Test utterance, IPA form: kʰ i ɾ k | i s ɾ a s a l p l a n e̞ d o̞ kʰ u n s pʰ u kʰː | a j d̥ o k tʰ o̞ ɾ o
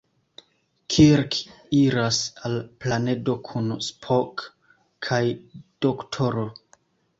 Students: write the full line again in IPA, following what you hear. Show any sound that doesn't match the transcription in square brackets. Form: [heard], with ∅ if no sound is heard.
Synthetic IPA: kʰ i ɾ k | i [∅] ɾ a s a l p l a n e̞ d o̞ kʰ u n s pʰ [o] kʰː | a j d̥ o k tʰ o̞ ɾ o